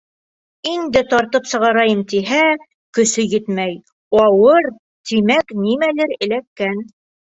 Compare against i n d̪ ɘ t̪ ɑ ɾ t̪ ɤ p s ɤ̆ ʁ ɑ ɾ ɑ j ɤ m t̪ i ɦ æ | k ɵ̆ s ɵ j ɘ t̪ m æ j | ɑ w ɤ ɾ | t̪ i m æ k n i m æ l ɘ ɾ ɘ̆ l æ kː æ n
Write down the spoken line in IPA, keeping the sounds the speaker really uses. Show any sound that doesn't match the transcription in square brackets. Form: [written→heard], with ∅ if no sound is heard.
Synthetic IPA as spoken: i n d̪ ɘ t̪ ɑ ɾ t̪ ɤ p s ɤ̆ ʁ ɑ ɾ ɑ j ɤ m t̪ i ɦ æ | k ɵ̆ s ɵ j ɘ t̪ m æ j | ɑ w ɤ ɾ | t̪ i m æ k n i m æ l ɘ ɾ ɘ̆ l æ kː æ n

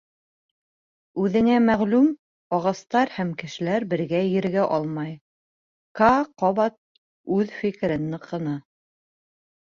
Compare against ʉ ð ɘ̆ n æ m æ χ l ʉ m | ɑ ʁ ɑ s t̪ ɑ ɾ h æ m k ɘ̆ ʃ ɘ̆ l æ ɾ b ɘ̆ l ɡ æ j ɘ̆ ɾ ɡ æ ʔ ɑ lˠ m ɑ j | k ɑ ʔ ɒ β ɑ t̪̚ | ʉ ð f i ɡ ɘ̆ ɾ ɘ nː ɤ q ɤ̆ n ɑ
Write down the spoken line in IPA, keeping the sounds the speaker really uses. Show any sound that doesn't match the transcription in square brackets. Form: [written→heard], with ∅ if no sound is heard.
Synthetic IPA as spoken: ʉ ð ɘ̆ n æ m æ [χ→ʁ] l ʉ m | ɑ ʁ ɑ s t̪ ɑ ɾ h æ m k ɘ̆ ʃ ɘ̆ l æ ɾ b ɘ̆ [l→ɾ] ɡ æ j ɘ̆ ɾ ɡ æ ʔ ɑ lˠ m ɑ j | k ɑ [ʔ→q] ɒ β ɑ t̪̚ | ʉ ð f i [ɡ→k] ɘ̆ ɾ ɘ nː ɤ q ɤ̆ n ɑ

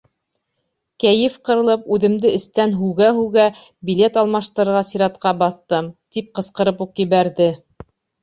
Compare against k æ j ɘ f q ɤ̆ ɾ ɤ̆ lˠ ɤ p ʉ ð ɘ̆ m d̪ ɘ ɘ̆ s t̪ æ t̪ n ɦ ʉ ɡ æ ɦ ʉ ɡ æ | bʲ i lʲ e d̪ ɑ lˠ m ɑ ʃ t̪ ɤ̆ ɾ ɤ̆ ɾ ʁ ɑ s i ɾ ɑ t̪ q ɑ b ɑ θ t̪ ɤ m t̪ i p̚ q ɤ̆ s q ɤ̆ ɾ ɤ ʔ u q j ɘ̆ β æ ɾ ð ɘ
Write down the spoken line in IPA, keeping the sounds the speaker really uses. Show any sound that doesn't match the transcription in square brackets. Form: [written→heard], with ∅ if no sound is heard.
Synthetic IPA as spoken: k æ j ɘ f q ɤ̆ ɾ ɤ̆ lˠ ɤ p ʉ ð ɘ̆ m d̪ ɘ ɘ̆ s t̪ æ [t̪→∅] n ɦ ʉ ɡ æ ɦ ʉ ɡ æ | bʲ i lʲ e [d̪→t̪] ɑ lˠ m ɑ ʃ t̪ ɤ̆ ɾ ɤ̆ ɾ ʁ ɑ s i ɾ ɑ t̪ q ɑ b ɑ θ t̪ ɤ m t̪ i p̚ q ɤ̆ s q ɤ̆ ɾ ɤ [ʔ→p] u q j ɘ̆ β æ ɾ ð ɘ

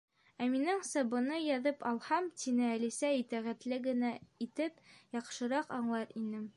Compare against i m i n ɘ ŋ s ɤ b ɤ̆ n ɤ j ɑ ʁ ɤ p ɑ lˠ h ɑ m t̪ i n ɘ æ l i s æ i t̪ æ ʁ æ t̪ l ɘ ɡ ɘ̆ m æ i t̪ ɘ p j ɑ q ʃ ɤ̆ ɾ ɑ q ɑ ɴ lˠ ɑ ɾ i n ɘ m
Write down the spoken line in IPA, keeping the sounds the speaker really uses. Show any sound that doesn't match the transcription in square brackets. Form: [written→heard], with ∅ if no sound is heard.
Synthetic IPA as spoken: [i→æ] m i n ɘ ŋ s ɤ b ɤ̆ n ɤ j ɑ [ʁ→ð] ɤ p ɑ lˠ h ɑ m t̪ i n ɘ æ l i s æ i t̪ æ ʁ æ t̪ l ɘ ɡ ɘ̆ [m→n] æ i t̪ ɘ p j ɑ q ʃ ɤ̆ ɾ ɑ q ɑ ɴ lˠ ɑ ɾ i n ɘ m

